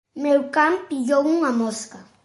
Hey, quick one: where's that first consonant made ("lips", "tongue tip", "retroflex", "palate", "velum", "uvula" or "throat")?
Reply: lips